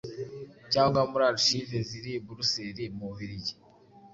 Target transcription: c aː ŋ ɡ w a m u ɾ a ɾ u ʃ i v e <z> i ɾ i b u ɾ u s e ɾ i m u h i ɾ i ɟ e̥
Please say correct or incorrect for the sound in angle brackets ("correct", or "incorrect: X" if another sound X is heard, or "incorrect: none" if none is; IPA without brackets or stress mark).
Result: correct